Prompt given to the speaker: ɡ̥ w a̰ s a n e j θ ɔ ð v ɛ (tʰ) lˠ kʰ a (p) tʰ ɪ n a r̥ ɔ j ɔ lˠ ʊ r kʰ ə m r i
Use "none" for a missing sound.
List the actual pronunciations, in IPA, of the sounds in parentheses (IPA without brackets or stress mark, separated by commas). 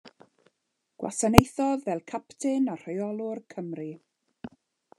none, p